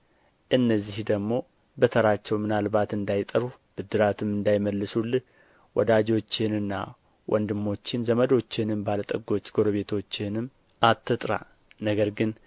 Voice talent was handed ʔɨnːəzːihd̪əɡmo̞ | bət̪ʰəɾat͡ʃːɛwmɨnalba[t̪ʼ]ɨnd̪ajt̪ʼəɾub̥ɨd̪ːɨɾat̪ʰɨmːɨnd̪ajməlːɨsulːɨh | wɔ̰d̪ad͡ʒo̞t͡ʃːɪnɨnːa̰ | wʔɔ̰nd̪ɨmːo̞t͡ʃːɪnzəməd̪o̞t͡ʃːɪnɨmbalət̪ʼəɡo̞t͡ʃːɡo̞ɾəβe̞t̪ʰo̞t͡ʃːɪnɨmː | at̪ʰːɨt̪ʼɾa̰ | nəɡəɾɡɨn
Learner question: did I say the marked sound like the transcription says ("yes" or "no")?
no